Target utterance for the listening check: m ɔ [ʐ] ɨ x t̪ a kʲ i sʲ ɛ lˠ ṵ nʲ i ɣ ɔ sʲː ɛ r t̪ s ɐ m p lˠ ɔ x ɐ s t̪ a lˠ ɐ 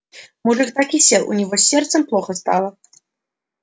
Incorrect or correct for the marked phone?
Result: correct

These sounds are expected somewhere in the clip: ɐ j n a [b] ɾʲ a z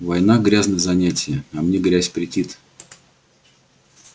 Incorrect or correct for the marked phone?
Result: incorrect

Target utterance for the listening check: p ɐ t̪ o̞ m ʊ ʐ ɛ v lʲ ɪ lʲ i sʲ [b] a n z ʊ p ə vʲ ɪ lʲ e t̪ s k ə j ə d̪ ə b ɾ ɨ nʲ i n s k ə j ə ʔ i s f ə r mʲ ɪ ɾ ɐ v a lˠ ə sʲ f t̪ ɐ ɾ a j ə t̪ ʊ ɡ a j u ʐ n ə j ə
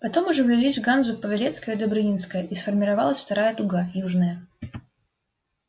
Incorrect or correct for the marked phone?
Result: incorrect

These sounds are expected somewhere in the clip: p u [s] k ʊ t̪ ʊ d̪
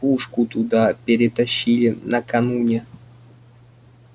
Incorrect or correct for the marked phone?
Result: incorrect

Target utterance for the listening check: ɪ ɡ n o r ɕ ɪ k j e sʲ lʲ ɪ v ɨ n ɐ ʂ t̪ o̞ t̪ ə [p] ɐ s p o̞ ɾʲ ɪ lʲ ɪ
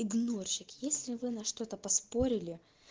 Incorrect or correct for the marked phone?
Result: correct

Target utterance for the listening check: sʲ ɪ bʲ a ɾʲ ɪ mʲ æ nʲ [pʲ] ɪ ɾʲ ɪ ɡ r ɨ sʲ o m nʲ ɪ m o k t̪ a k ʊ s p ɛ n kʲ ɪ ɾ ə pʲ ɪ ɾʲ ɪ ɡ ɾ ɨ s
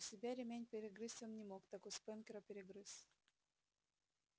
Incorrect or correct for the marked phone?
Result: correct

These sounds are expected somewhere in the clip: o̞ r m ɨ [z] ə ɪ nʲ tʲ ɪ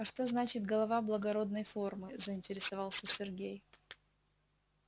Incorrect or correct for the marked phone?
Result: correct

